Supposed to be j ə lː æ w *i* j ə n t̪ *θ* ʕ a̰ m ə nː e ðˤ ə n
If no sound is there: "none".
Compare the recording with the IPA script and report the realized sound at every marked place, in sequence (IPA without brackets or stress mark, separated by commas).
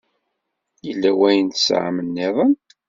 æ, s